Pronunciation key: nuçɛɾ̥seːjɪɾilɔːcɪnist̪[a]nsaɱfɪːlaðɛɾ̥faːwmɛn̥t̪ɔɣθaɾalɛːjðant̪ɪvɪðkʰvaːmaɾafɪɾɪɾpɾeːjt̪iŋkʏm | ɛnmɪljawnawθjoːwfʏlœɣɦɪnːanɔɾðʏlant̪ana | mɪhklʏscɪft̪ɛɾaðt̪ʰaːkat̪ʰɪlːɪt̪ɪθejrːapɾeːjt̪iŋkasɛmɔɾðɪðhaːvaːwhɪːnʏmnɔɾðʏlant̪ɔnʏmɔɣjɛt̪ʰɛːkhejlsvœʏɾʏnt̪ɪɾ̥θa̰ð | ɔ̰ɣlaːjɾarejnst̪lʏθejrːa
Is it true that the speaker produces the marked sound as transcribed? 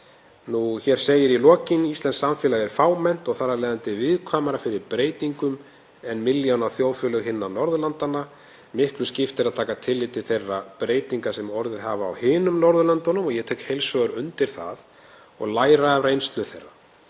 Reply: no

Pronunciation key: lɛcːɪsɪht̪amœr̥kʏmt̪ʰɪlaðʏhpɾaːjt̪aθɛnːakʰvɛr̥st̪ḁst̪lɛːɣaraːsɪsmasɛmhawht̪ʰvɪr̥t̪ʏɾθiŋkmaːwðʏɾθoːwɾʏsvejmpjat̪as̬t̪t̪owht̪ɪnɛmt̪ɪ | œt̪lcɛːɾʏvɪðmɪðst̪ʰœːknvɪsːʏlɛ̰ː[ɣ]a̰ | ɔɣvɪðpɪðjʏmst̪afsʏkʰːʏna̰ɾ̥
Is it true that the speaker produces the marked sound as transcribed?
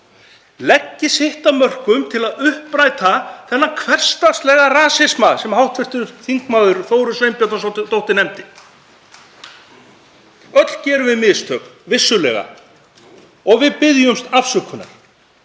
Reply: yes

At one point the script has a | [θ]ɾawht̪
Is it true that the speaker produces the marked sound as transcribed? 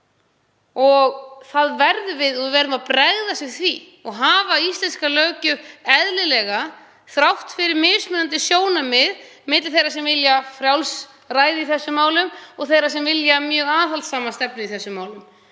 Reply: yes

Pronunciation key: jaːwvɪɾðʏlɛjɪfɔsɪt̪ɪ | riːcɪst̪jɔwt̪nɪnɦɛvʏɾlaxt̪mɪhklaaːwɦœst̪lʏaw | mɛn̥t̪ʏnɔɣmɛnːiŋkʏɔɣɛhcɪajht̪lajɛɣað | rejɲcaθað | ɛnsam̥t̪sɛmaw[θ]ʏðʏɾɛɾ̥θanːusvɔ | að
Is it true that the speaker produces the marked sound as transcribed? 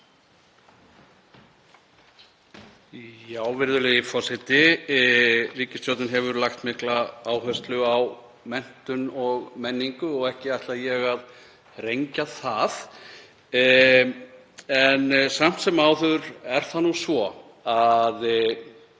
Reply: yes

